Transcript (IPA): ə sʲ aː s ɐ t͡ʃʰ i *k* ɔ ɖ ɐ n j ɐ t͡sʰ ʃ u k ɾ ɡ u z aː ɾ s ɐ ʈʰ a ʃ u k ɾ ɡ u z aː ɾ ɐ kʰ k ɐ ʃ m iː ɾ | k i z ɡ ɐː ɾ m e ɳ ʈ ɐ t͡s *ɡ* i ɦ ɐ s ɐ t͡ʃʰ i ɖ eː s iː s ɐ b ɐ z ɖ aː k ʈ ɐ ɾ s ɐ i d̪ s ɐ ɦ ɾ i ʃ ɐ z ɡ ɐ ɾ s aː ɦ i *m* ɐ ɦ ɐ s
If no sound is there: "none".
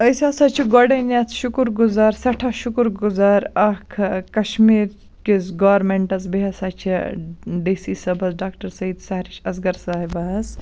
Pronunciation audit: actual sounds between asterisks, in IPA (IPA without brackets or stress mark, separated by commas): ɡ, b, b